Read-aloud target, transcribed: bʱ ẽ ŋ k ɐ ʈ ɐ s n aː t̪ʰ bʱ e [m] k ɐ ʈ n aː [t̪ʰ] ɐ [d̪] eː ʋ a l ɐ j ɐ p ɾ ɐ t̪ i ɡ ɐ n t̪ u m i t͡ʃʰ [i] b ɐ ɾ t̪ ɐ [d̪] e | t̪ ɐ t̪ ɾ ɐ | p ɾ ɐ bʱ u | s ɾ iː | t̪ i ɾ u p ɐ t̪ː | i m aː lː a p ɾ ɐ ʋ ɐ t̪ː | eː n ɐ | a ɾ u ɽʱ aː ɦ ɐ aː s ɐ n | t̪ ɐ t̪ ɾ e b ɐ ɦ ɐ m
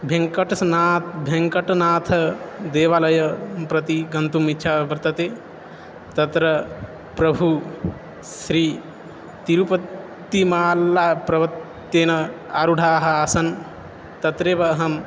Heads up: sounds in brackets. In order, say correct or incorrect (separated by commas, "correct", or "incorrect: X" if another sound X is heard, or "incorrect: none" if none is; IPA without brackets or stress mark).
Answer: incorrect: ŋ, correct, correct, incorrect: a, incorrect: t̪